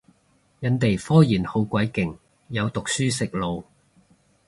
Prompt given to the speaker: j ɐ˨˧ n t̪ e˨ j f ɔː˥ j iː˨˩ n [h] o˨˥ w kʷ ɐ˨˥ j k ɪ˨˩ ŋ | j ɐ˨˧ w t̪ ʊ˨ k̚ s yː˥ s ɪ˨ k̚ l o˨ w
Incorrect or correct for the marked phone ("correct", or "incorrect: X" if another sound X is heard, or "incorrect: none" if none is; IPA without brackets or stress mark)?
correct